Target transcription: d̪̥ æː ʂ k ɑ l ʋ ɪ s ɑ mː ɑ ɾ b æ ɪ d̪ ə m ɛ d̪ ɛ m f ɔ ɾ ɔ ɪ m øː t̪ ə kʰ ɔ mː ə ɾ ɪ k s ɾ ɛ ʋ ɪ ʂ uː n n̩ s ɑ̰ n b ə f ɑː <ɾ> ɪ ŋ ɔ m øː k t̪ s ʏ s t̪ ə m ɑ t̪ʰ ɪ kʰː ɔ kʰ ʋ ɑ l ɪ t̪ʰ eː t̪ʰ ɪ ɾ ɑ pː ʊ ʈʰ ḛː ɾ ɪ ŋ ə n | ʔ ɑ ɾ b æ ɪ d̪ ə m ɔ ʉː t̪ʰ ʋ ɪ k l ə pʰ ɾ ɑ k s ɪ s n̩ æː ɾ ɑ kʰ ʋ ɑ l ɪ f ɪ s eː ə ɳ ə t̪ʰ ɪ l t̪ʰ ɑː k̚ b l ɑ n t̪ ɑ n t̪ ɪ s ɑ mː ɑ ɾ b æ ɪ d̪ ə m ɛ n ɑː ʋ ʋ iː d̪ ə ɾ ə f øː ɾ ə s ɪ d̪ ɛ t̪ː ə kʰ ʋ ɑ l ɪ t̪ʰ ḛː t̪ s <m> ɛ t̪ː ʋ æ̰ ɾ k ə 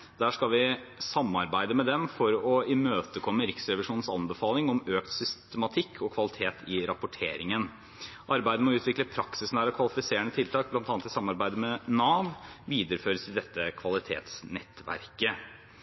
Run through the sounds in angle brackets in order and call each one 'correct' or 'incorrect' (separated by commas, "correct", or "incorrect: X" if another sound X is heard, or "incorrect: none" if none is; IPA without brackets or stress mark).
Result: incorrect: l, incorrect: n